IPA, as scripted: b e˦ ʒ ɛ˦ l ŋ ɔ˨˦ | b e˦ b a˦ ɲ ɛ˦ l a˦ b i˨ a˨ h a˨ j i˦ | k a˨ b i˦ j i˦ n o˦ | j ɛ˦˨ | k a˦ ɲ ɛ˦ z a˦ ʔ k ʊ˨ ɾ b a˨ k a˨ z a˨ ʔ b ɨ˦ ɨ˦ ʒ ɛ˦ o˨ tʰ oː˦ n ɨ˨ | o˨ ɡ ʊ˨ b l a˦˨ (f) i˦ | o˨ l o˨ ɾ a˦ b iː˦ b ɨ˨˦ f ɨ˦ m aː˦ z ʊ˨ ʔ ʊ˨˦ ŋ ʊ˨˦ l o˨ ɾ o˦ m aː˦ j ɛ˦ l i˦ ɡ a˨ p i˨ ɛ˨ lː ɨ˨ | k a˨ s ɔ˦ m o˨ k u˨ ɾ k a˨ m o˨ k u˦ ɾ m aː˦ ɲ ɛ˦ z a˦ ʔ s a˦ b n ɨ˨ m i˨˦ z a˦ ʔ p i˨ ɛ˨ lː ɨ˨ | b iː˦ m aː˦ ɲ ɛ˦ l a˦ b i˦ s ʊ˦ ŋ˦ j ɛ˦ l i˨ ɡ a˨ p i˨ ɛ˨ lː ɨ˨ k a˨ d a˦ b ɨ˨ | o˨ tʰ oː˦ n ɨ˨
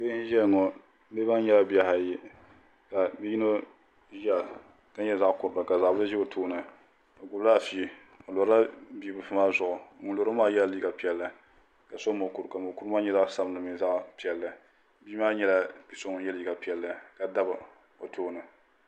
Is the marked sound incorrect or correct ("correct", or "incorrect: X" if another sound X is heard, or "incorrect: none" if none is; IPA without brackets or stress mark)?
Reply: correct